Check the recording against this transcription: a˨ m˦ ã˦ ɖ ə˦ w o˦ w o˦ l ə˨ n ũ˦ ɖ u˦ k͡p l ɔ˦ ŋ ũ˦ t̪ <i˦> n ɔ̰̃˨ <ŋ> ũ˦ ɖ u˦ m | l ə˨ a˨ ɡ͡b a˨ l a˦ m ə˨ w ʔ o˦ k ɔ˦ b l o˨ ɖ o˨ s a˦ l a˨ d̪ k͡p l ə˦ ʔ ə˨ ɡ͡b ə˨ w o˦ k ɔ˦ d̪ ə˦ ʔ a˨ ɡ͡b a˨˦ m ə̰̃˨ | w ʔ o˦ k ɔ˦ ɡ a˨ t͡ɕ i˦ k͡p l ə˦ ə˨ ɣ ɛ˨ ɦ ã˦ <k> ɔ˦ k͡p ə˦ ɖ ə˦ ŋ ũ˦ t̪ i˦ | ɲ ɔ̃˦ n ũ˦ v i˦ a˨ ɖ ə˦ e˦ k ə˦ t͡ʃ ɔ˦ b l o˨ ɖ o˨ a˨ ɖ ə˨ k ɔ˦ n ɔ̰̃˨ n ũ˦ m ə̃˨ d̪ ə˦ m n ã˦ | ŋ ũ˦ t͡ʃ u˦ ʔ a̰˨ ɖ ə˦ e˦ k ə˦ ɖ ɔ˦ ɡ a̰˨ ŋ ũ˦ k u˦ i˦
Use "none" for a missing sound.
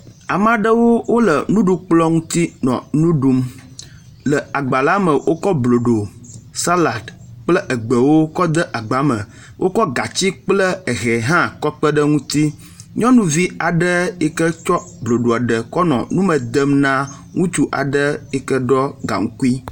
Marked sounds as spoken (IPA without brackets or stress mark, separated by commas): i˦, n, k